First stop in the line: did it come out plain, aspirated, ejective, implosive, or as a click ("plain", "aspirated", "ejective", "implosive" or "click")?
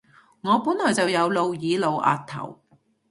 plain